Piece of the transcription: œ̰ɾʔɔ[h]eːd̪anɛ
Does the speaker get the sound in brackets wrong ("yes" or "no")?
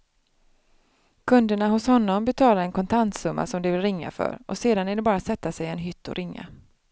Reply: yes